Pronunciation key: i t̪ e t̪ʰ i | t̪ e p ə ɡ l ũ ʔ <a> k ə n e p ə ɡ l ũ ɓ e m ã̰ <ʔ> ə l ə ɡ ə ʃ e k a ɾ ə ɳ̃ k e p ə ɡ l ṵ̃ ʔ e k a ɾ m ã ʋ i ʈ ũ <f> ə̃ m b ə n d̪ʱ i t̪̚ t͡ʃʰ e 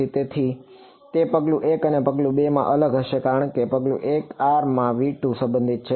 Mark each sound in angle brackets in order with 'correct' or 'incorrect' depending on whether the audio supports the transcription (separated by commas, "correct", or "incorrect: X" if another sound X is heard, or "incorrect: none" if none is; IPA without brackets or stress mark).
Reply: incorrect: e, correct, incorrect: s